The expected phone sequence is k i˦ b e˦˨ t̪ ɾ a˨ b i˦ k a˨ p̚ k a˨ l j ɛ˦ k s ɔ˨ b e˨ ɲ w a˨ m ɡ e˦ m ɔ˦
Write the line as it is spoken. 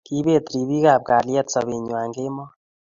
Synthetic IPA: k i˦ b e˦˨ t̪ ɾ i˨ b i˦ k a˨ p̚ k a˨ l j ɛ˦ t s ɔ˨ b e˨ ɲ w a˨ ŋ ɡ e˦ m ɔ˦